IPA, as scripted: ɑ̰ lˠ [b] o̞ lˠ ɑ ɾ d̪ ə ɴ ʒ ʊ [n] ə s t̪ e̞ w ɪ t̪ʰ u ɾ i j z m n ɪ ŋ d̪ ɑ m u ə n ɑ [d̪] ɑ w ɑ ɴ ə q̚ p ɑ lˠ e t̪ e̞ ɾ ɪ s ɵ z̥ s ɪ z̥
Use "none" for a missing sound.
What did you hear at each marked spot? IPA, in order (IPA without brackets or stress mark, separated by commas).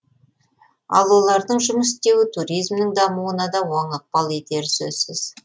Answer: w, m, d̪